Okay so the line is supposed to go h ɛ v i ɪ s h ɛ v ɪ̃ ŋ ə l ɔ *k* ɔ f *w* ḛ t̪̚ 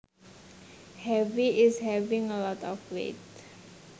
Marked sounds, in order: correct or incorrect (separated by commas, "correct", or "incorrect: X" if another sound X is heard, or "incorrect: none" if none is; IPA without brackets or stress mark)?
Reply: incorrect: t, correct